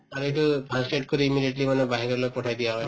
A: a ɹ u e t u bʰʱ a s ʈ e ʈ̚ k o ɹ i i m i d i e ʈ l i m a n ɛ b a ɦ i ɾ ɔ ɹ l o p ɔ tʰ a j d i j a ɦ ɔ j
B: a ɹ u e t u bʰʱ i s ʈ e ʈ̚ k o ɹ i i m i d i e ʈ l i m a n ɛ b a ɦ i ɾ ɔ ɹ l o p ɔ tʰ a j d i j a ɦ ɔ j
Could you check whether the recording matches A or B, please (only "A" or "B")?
A